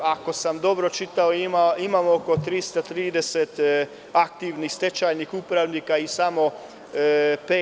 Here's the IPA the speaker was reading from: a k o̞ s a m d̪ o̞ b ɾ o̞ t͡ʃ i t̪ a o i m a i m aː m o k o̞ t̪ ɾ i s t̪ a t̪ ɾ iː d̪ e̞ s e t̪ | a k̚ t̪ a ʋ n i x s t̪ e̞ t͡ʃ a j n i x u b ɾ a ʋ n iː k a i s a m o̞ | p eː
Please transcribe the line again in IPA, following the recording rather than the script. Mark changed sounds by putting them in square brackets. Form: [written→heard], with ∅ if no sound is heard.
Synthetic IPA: a k o̞ s a m d̪ o̞ b ɾ o̞ t͡ʃ i t̪ a o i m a i m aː m o k o̞ t̪ ɾ i s t̪ a t̪ ɾ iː d̪ e̞ s e t̪ | a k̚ t̪ [a→i] ʋ n i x s t̪ e̞ t͡ʃ a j n i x u [b→p] ɾ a ʋ n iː k a i s a m o̞ | p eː